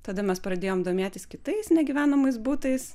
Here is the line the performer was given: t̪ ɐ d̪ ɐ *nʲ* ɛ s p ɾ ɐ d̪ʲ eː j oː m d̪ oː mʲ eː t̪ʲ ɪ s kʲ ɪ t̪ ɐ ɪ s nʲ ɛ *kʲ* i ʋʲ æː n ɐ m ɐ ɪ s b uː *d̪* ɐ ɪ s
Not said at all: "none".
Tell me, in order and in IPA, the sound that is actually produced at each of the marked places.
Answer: mʲ, ɡʲ, t̪

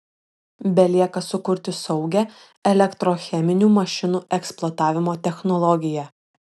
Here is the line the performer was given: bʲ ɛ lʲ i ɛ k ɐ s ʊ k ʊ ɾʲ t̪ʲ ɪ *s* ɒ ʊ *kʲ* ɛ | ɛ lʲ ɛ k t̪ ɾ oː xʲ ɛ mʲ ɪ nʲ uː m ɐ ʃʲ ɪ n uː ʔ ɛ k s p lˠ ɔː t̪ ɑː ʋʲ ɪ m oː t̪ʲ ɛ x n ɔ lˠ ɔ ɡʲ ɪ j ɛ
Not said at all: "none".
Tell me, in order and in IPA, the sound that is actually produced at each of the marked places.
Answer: s, ɡʲ

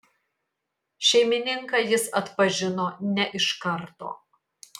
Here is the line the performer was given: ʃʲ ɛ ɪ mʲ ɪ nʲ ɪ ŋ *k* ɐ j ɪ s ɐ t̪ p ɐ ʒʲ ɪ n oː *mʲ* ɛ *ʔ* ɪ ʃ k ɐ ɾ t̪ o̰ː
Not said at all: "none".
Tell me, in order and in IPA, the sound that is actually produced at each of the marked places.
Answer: k, nʲ, ʔ

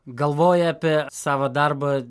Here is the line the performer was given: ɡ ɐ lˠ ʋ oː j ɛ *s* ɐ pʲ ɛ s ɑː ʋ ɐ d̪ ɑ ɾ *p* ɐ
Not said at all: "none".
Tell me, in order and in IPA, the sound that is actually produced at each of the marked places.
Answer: none, b

